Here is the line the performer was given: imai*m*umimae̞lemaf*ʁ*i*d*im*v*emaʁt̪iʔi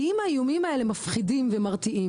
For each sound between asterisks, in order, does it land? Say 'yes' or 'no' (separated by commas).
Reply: no, no, yes, yes